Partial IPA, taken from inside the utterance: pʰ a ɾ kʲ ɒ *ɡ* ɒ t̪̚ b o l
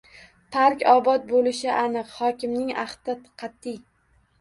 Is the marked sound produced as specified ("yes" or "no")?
no